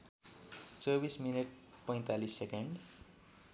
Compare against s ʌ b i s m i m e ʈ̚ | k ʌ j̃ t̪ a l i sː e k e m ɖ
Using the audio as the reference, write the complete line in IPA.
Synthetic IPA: t͡s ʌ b i s m i n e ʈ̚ | p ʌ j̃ t̪ a l i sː e k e ɳ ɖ